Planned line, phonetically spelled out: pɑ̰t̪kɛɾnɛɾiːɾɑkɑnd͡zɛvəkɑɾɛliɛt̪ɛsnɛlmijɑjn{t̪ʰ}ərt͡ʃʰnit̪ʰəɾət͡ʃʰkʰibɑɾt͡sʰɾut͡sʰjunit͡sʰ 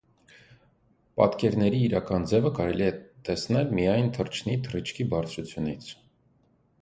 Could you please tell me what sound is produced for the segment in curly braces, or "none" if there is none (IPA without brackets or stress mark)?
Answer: t̪ʰ